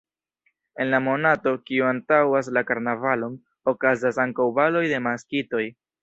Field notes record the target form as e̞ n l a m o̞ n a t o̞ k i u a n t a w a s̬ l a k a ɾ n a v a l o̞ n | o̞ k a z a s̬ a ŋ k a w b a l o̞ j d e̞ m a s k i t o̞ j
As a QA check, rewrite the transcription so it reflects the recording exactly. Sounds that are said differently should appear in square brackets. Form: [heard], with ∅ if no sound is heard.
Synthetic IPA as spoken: e̞ n l a m o̞ n a t o̞ k i u a n t a w a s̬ l a k a ɾ n a v a l o̞ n | o̞ k a z a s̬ a ŋ k a w b a l o̞ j d e̞ m a s k i t o̞ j